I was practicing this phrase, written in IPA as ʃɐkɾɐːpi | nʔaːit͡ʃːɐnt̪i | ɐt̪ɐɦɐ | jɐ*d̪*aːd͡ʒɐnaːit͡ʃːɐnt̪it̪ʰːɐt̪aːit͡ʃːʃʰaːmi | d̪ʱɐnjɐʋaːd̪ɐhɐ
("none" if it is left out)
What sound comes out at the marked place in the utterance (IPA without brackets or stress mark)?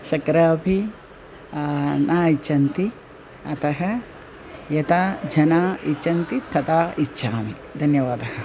t̪